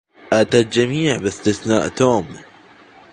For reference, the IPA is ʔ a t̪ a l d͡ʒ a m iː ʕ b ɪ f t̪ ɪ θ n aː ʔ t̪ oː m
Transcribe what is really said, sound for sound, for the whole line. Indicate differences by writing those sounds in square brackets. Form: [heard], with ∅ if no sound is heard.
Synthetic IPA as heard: ʔ a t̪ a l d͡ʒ a m iː ʕ b ɪ [s] t̪ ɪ θ n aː ʔ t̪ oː m

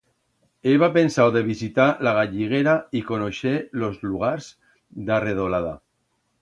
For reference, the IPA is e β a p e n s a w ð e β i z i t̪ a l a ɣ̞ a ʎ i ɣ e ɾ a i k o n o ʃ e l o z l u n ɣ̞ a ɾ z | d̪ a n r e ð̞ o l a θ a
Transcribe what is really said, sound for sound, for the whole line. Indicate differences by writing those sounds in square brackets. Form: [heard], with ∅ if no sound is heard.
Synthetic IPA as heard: e β a p e n s a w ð e β i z i t̪ a l a ɣ̞ a ʎ i ɣ e ɾ a i k o n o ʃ e l o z l u [∅] ɣ̞ a ɾ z | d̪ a [∅] r e ð̞ o l a [ð] a

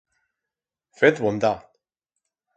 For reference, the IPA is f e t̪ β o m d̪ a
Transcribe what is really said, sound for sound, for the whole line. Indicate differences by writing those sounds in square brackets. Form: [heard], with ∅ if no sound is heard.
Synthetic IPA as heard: f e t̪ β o [n] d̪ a

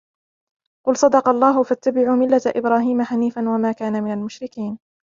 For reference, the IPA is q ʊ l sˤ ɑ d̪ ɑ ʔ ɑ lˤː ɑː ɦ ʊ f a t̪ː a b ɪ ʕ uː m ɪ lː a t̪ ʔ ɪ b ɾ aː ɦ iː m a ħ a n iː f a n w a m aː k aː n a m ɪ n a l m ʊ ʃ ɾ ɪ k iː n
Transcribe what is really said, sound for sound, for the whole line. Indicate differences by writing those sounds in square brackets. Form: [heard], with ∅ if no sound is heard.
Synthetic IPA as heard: q ʊ l sˤ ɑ d̪ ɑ [q] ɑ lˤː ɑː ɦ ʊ f a t̪ː a b ɪ ʕ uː m ɪ lː a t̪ ʔ ɪ b ɾ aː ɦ iː m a ħ a n iː f a n w a m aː k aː n a m ɪ n a l m ʊ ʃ ɾ ɪ k iː n

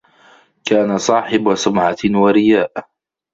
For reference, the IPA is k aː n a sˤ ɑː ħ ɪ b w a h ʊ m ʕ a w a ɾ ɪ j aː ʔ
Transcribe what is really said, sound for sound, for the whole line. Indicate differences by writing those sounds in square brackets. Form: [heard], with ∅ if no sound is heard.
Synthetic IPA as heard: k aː n a sˤ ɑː ħ ɪ b w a [s] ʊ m ʕ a w a ɾ ɪ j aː ʔ

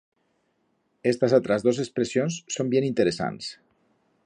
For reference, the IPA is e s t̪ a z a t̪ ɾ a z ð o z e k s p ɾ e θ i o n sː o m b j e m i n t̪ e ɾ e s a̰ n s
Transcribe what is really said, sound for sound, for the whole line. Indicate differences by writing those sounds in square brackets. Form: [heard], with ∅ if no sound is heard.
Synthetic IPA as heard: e s t̪ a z a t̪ ɾ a z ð o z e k s p ɾ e [s] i o n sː o m b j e [n] i n t̪ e ɾ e s a̰ n s

